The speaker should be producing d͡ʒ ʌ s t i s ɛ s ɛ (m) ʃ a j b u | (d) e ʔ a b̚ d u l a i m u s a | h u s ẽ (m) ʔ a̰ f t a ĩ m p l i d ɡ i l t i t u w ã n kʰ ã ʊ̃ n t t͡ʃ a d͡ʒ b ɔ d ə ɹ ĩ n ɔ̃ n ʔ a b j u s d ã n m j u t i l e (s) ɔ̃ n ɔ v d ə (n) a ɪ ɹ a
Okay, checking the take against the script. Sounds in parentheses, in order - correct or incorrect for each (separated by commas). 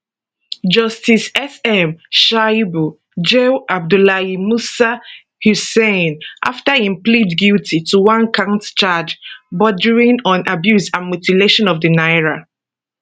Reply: correct, incorrect, incorrect, incorrect, correct